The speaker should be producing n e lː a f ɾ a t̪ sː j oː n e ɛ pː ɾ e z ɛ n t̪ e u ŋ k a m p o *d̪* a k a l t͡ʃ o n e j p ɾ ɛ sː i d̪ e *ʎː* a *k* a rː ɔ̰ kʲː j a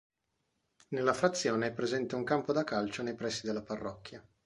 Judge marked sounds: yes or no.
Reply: yes, no, no

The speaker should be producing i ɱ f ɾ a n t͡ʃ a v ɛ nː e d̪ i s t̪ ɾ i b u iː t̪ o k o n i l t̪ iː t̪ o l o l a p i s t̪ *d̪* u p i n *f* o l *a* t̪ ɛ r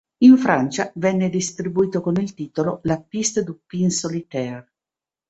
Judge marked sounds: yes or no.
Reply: yes, no, no

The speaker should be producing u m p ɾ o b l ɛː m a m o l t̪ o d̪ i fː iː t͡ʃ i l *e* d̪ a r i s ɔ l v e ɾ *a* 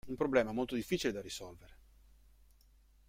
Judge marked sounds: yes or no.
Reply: yes, no

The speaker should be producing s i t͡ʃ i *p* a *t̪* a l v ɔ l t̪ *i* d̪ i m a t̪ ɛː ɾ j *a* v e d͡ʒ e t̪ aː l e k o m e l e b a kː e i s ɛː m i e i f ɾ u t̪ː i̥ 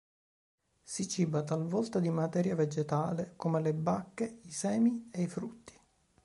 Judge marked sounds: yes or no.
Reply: no, yes, no, yes

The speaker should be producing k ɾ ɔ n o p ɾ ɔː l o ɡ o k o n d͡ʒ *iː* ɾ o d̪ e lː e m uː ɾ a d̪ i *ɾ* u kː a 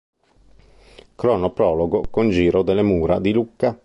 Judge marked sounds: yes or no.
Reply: yes, no

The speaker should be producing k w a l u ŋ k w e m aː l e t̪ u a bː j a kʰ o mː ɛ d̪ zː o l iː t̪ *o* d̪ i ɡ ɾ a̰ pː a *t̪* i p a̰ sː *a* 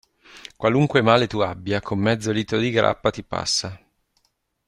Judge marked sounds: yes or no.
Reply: yes, yes, yes

